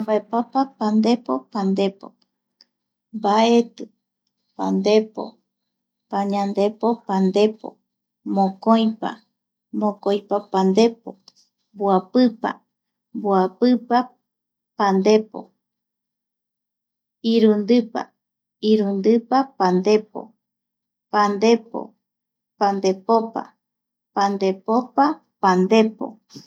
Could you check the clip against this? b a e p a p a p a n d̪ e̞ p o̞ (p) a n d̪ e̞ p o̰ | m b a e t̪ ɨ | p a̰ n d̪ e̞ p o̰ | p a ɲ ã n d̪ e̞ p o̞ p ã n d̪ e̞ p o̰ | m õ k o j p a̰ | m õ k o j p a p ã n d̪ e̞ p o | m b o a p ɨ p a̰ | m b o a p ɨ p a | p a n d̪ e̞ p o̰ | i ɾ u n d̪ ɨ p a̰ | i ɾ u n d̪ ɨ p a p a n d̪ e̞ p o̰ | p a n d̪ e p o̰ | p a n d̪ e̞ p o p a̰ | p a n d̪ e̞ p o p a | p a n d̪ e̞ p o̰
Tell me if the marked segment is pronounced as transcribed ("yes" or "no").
yes